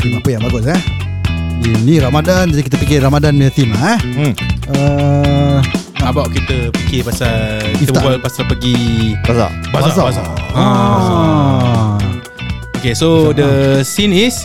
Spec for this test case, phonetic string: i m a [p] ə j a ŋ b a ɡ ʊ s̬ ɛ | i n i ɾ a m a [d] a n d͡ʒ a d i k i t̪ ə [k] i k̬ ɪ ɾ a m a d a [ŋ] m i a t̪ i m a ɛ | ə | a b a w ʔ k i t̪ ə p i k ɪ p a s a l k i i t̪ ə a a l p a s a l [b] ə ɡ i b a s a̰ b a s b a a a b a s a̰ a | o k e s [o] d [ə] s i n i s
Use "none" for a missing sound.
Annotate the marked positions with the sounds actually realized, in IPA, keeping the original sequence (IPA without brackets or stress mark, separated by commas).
p, d, p, n, p, o, ə